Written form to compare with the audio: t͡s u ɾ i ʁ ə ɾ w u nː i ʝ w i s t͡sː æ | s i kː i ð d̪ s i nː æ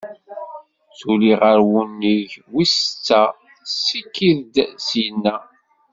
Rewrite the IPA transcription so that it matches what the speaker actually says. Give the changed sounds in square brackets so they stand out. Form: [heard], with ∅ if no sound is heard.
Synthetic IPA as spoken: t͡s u [l] i ʁ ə ɾ w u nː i ʝ w i s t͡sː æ | s i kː i ð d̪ s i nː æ

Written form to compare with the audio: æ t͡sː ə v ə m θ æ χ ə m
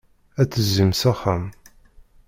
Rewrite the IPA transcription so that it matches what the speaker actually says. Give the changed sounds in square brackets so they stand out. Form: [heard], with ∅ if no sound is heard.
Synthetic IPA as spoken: æ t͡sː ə [z] ə m [s] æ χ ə m

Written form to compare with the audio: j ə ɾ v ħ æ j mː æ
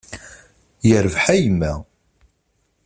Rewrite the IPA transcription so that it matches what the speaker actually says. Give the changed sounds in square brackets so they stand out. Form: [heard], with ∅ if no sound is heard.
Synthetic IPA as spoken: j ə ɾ v ħ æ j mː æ

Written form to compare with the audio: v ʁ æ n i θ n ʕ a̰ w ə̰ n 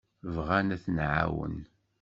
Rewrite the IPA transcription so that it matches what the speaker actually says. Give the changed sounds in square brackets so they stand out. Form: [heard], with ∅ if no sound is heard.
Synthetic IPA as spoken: v ʁ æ n [æ] θ n ʕ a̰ w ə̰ n

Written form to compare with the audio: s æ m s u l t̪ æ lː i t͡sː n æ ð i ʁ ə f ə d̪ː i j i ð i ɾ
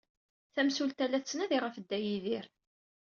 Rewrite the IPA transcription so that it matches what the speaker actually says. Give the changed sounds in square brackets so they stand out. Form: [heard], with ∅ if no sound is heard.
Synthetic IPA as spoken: [θ] æ m s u l t̪ æ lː [æ] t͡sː n æ ð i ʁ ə f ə d̪ː [æ] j i ð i ɾ

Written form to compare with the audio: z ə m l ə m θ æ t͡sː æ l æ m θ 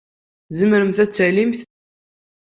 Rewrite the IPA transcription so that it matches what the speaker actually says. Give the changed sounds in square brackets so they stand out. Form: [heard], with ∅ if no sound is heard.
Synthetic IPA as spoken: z ə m [ɾ] ə m θ æ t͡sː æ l [i] m θ

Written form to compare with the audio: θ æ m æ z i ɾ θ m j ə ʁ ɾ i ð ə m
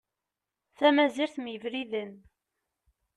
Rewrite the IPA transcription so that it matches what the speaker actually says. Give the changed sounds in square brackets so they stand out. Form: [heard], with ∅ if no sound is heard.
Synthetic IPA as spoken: θ æ m æ z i ɾ θ m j ə [v] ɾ i ð ə [n]

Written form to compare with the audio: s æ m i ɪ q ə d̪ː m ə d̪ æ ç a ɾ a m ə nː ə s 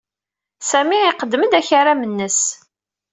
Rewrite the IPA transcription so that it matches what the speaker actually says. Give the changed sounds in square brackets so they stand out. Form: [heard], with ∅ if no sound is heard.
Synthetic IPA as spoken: s æ m i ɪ q ə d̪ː m ə d̪ æ ç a ɾ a m ə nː ə s

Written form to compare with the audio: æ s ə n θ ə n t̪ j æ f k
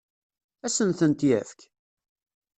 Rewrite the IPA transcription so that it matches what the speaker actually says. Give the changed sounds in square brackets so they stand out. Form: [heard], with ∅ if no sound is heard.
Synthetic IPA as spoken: æ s ə n θ ə n t̪ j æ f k

